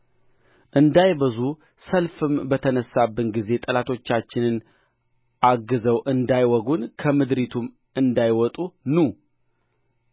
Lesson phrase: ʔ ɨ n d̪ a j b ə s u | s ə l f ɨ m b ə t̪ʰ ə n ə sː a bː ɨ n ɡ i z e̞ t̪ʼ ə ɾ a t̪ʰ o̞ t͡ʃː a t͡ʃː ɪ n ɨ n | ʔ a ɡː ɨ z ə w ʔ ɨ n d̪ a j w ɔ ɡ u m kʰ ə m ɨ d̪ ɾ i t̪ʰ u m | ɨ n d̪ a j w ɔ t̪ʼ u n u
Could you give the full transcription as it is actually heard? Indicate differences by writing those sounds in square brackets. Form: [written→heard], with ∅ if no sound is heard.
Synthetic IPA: ʔ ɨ n d̪ a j b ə [s→z] u | s ə l f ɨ m b ə t̪ʰ ə n ə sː a bː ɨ n ɡ i z e̞ t̪ʼ ə [ɾ→l] a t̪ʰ o̞ t͡ʃː a t͡ʃː ɪ n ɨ n | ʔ a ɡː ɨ z ə w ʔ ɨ n d̪ a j w ɔ ɡ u [m→n] kʰ ə m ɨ d̪ ɾ i t̪ʰ u m | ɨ n d̪ a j w ɔ t̪ʼ u n u